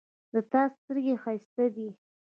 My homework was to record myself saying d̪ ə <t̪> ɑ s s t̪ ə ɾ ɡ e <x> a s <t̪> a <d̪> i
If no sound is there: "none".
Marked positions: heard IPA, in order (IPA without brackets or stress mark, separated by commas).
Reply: t̪, x, t̪, d̪